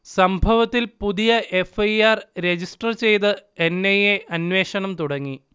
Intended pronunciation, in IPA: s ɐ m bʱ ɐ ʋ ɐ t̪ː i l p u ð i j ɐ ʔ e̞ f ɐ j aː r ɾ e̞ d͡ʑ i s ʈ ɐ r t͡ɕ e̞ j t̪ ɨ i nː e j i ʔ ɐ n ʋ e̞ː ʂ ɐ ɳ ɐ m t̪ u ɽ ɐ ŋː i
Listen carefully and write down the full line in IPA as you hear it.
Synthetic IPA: s ɐ m bʱ ɐ ʋ ɐ t̪ː i l p u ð i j ɐ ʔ e̞ f ɐ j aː r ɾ e̞ d͡ʑ i s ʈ ɐ r t͡ɕ e̞ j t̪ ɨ e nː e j e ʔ ɐ n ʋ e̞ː ʂ ɐ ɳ ɐ m t̪ u ɽ ɐ ŋː i